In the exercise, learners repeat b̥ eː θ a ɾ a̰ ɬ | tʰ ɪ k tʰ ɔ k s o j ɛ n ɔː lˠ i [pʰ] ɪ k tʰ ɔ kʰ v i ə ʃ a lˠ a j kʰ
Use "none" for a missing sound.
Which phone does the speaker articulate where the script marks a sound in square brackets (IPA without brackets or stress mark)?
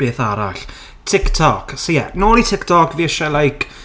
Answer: tʰ